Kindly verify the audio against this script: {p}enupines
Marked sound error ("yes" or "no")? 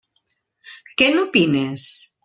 yes